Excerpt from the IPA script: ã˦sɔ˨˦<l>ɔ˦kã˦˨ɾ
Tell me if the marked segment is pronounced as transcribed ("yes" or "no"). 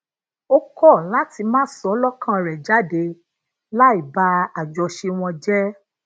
yes